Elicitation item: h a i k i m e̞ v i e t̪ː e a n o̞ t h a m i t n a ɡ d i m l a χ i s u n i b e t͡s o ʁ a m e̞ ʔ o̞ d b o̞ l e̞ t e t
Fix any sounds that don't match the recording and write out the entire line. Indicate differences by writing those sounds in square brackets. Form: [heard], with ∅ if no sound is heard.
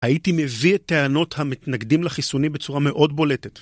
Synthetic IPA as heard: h a i [t] i m e̞ v i e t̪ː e a n o̞ t h a m i t n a ɡ d i m l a χ i s u n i b e t͡s [u] ʁ a m e̞ ʔ o̞ d b o̞ l e̞ t e t

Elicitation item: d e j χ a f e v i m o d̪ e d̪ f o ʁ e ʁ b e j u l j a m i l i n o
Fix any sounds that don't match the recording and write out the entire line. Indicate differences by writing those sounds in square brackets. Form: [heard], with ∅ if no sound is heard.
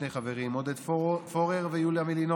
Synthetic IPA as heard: [n] e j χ a [v] e [ʁ] i m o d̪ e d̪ f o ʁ e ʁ [v] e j u l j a m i l i n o

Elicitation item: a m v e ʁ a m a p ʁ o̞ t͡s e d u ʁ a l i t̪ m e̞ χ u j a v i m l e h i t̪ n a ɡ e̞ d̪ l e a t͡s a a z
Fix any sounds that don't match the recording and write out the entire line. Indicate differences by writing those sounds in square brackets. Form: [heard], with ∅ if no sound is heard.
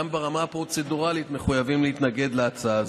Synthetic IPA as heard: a m [b] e ʁ a m a p ʁ o̞ t͡s e d u ʁ a l i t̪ m e̞ χ u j a v i m l e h i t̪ n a ɡ e̞ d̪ l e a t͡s a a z

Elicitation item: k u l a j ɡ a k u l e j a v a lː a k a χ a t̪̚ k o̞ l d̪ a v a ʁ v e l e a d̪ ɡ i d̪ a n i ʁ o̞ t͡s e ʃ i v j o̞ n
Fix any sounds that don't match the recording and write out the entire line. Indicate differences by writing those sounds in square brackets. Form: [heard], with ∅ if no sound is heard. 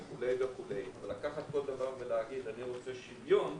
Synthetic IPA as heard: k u l [e] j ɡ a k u l e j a v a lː a k a χ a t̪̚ k o̞ l d̪ a v a ʁ v e l e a [∅] ɡ i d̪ a n i ʁ o̞ t͡s e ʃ i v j o̞ n

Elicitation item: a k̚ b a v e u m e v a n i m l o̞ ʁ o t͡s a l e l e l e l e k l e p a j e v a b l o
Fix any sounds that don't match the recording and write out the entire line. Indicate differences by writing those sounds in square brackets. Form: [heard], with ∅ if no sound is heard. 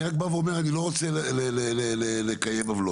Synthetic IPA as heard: a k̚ b a v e [o] m e [ʁ] a n i [∅] l o̞ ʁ o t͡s [e] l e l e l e l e [∅] l e [k] a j e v a [v] l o

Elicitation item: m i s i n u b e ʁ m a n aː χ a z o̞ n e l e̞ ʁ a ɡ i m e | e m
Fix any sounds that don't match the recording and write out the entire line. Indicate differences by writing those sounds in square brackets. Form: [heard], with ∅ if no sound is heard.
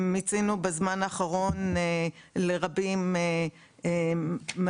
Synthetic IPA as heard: m i [t͡s] i n u b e [z] m a n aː χ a [ʁ] o̞ n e l e̞ ʁ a [b] i m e | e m

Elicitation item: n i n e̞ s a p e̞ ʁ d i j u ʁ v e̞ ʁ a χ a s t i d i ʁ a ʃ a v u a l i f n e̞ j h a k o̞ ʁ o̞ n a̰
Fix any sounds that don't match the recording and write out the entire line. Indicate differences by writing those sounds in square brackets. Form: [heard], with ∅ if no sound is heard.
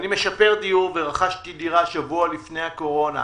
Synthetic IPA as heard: n i [m] e̞ [ʃ] a p e̞ ʁ d i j u ʁ v e̞ ʁ a χ a [ʃ] t i d i ʁ a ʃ a v u a l i f n e̞ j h a k o̞ ʁ o̞ n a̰

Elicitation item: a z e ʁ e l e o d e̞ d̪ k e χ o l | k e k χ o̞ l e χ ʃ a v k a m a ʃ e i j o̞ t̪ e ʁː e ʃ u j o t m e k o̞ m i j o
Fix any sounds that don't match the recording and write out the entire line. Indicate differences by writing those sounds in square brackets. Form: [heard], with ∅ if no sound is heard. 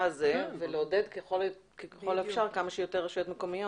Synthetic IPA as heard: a z e [v] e l e o d e̞ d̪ k e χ o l | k e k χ o̞ l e [f] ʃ a [ʁ] k a m a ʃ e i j o̞ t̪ e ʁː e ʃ u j o t m e k o̞ m i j o

